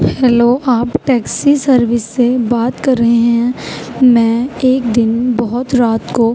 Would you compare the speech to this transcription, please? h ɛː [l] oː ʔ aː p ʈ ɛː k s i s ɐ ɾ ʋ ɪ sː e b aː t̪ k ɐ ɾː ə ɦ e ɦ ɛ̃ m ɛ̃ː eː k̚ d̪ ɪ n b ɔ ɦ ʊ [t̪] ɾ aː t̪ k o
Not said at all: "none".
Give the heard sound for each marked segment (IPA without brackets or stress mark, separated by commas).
l, t̪